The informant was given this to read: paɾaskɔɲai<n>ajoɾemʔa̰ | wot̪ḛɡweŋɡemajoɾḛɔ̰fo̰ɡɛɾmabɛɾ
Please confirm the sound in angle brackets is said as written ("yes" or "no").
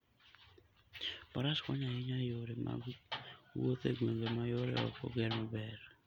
no